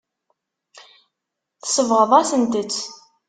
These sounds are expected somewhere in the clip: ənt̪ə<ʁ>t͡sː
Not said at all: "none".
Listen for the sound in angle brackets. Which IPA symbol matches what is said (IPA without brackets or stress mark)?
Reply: none